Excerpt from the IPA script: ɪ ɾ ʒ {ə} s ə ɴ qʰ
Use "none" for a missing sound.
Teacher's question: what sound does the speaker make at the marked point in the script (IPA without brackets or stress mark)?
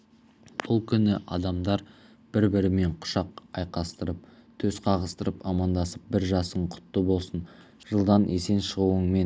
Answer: ɑ